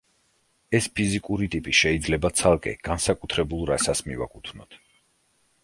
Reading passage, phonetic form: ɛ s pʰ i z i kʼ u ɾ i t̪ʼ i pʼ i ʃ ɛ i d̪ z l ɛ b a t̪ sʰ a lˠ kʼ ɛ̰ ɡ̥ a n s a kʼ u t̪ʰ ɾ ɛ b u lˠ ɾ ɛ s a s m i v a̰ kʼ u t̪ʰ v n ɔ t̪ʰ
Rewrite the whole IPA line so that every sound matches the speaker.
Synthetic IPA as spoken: ɛ s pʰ i z i kʼ u ɾ i t̪ʼ i pʼ i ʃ ɛ i d̪ z l ɛ b a t̪ sʰ a lˠ kʼ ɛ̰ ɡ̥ a n s a kʼ u t̪ʰ ɾ ɛ b u lˠ ɾ a s a s m i v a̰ kʼ u t̪ʰ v n ɔ t̪ʰ